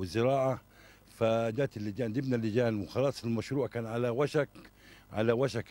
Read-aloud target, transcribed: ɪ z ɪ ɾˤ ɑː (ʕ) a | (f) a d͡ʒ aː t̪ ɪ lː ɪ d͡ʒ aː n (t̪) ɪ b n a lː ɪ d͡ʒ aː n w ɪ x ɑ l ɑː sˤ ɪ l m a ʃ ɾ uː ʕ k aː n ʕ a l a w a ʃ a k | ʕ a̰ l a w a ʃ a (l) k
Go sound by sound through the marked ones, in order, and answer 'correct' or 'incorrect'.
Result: correct, correct, incorrect: d̪, incorrect: none

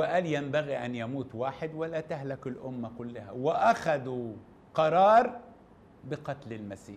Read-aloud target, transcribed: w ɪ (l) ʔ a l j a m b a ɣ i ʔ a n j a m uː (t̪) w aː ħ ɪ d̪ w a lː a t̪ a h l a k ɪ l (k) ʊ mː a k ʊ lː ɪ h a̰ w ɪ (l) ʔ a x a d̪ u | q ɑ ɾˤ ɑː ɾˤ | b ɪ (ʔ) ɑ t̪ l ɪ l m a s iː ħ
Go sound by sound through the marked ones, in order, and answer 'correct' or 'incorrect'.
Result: incorrect: none, correct, incorrect: ʔ, incorrect: none, incorrect: q

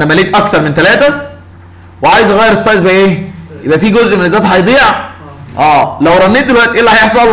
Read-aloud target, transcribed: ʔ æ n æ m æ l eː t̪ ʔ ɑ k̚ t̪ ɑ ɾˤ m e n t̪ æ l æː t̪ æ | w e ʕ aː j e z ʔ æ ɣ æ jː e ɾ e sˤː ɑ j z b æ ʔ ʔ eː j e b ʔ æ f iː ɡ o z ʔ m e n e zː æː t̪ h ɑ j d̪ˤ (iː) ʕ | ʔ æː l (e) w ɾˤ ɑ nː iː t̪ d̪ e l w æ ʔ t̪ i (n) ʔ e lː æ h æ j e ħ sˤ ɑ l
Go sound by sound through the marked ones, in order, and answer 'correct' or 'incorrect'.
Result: correct, incorrect: æ, incorrect: none

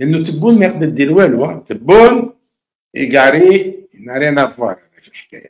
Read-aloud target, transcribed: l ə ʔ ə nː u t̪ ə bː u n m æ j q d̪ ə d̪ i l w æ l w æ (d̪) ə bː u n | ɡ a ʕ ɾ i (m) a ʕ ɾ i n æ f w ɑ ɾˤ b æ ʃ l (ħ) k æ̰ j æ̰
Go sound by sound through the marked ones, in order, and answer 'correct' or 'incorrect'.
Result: incorrect: t̪, incorrect: n, correct

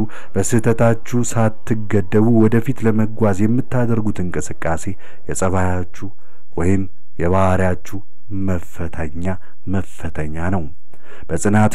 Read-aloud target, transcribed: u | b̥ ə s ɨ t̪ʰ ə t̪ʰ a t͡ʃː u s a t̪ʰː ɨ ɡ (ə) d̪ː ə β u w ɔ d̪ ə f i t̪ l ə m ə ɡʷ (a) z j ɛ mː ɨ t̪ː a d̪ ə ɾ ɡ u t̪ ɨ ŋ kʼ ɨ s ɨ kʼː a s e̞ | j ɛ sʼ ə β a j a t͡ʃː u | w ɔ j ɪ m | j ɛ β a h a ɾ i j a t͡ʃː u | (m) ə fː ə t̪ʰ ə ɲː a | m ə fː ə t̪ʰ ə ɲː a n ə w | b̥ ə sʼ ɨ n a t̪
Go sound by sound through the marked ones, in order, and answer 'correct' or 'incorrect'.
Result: correct, correct, correct

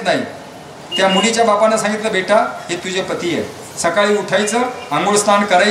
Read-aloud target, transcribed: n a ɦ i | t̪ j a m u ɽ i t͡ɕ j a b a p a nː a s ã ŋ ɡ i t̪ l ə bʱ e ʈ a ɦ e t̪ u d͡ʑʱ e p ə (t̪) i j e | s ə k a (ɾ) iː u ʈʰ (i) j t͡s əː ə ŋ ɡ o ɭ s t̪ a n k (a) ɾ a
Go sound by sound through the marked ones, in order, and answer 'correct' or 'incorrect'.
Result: correct, incorrect: ɭ, incorrect: a, incorrect: ə

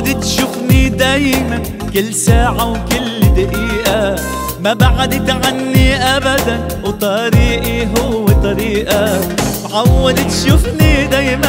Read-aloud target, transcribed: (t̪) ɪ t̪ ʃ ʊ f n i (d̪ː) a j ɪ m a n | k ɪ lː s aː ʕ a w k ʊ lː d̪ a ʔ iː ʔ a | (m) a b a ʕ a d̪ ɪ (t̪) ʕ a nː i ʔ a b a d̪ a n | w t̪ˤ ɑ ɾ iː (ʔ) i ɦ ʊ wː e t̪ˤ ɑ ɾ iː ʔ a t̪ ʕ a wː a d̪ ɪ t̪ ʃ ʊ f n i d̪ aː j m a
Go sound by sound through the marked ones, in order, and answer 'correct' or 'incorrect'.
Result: incorrect: d̪, incorrect: d̪, correct, correct, correct

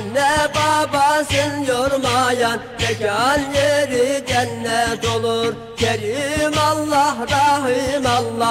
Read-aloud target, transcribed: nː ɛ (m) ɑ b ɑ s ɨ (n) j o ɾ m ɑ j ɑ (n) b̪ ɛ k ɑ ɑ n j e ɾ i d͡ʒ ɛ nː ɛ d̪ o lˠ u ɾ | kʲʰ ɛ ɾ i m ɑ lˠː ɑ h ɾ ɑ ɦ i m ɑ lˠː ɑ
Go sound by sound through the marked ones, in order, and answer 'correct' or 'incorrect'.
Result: incorrect: b, correct, correct

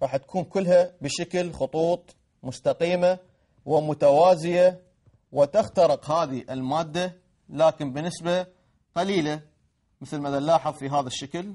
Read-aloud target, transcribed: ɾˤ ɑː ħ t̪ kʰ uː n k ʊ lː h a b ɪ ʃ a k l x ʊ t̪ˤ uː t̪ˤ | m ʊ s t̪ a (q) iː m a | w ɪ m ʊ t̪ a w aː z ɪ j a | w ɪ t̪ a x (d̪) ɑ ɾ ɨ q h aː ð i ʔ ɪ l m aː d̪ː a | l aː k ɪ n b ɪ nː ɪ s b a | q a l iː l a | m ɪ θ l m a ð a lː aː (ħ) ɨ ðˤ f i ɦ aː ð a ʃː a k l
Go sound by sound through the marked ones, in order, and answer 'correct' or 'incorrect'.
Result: correct, incorrect: t̪, correct

